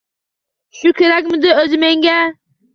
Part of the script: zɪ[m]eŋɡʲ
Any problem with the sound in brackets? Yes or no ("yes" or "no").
no